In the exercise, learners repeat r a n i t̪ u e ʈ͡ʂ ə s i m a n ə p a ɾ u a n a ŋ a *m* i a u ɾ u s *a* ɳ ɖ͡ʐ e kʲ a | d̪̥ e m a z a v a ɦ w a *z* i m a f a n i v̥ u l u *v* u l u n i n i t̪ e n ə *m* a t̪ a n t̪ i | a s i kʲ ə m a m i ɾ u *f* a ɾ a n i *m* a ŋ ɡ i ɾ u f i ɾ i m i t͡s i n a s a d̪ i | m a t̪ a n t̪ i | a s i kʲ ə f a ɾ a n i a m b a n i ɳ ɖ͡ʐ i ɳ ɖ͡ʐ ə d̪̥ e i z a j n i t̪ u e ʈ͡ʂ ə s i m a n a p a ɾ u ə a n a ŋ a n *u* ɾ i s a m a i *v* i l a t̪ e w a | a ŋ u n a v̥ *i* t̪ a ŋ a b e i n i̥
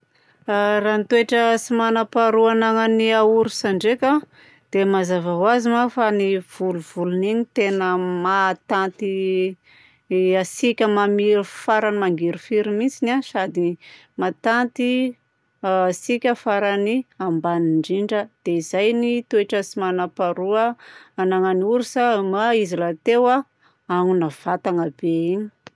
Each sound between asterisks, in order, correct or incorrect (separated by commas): incorrect, correct, correct, correct, correct, correct, correct, correct, incorrect, incorrect